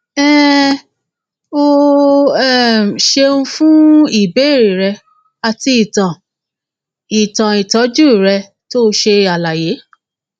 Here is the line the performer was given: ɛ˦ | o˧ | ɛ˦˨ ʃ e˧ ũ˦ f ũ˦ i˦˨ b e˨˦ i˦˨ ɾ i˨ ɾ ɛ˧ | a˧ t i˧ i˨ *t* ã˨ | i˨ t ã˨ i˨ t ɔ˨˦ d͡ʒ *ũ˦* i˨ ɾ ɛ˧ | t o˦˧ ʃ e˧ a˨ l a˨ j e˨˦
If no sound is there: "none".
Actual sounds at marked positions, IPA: t, u˦

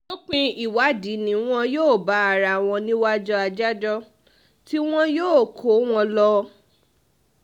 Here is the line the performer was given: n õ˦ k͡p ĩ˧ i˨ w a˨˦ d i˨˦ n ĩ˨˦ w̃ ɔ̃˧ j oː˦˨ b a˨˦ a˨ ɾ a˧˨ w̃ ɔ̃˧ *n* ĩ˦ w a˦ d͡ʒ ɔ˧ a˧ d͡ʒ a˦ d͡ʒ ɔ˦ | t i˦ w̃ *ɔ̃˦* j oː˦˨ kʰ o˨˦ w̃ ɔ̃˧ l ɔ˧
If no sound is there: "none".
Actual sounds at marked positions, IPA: n, ɔ̃˦

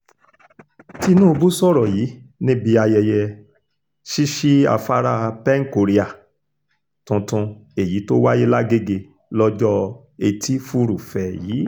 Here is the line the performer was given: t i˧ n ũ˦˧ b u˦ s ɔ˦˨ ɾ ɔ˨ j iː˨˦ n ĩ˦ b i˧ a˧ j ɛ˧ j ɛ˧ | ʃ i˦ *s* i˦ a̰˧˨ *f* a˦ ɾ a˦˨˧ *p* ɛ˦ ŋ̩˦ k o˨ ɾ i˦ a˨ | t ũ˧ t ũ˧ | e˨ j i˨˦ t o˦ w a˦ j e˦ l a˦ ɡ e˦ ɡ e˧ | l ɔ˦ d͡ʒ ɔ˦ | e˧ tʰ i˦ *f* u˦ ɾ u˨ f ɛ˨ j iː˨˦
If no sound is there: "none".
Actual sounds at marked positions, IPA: ʃ, f, p, f

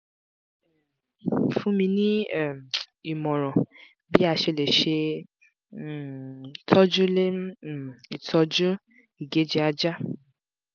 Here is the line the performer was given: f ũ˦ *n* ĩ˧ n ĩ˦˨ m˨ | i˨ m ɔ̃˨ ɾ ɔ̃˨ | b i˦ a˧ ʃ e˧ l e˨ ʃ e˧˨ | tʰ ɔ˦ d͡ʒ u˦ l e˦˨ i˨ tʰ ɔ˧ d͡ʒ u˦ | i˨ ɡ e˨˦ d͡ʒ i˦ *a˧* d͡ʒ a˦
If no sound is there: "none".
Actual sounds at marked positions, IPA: m, a˧

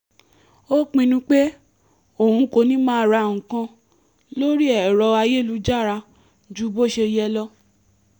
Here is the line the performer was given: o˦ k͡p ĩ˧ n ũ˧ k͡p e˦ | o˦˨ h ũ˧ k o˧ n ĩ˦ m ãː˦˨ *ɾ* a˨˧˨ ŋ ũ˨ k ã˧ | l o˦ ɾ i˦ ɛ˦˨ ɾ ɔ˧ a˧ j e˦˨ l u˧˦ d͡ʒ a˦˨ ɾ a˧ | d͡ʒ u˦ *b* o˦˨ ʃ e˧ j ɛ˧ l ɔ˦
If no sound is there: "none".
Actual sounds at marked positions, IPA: ɾ, b

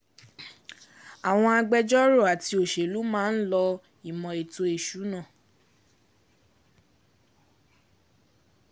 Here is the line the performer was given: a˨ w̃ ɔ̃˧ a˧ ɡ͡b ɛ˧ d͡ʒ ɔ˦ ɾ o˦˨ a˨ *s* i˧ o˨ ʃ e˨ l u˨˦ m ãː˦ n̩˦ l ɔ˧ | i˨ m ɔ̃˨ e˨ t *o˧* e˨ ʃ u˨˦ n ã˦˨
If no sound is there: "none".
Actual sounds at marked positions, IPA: t, o˧

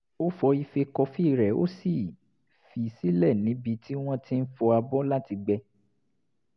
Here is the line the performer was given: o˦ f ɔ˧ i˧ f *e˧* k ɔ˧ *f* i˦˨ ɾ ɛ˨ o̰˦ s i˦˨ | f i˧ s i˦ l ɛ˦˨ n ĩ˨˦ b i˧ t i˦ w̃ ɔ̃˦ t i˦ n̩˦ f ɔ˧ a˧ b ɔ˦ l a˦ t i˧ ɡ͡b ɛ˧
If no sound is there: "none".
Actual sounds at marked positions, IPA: e˧, f

